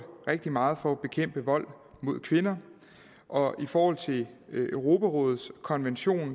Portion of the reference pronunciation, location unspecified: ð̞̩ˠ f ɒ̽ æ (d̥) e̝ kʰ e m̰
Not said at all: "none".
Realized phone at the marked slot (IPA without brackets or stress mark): b̥